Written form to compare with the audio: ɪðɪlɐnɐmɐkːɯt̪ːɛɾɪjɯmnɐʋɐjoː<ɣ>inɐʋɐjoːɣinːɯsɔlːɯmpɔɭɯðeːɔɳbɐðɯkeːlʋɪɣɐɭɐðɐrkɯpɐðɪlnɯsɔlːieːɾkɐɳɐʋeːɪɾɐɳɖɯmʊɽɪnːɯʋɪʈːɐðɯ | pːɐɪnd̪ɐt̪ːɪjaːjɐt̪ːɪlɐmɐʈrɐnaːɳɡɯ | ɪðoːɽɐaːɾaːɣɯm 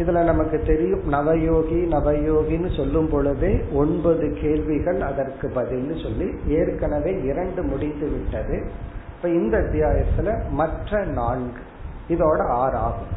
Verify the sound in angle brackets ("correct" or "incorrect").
correct